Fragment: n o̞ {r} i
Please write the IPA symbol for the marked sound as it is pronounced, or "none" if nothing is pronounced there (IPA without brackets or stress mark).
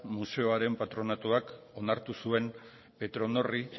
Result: r